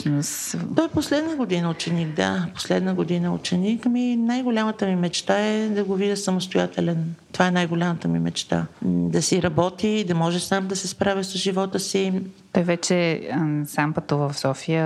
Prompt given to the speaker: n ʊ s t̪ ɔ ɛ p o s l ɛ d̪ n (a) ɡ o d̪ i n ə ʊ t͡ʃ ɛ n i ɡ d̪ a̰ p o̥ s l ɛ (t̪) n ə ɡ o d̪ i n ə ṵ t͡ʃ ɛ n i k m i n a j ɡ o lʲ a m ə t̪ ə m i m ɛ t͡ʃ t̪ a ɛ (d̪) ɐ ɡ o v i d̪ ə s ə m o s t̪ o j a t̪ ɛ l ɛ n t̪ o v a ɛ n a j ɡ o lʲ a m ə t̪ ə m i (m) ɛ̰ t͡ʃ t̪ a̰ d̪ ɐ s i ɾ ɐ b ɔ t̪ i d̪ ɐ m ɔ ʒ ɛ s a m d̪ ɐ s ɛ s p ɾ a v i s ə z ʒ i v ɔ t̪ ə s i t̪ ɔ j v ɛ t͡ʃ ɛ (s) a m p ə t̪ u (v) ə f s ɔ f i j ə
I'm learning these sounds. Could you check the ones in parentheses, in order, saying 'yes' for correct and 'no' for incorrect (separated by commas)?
no, no, yes, yes, yes, yes